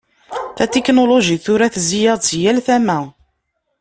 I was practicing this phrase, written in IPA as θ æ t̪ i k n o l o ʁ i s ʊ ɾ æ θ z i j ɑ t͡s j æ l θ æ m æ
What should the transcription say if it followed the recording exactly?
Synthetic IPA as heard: θ æ t̪ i k n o l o ʒ i θ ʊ ɾ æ θ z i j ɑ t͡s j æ l θ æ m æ